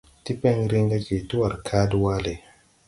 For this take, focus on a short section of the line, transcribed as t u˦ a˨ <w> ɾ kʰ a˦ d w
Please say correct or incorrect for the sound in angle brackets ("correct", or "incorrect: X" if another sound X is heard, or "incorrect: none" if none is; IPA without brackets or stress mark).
incorrect: none